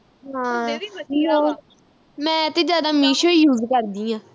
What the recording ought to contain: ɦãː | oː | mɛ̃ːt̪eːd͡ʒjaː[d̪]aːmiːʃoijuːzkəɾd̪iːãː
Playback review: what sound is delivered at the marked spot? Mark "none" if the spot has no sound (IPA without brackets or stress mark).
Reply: d̪